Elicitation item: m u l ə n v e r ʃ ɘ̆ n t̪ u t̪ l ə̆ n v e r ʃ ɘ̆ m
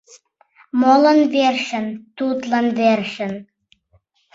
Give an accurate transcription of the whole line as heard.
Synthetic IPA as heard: m o l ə n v e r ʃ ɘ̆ n t̪ u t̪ l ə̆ n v e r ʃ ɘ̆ n